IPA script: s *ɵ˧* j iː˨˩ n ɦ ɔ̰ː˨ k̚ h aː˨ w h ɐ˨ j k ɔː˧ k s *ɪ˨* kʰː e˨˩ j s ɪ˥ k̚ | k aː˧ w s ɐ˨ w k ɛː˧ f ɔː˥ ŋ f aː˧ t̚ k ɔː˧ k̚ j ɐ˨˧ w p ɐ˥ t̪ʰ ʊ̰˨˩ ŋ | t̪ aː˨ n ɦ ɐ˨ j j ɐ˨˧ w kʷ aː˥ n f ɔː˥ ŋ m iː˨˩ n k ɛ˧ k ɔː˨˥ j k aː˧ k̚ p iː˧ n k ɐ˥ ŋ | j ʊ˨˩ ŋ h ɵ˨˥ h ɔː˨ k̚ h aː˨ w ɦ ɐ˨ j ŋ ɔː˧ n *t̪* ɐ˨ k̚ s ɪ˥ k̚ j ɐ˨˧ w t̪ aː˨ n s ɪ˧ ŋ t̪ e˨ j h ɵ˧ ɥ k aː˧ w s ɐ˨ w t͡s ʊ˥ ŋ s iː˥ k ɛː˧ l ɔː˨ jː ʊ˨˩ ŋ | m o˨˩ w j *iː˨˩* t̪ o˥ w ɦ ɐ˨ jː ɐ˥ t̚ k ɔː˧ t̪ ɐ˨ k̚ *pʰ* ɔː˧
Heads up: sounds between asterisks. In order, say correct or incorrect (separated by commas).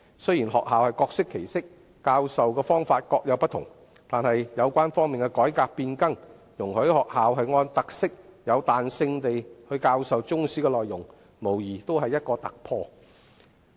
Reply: incorrect, incorrect, correct, correct, correct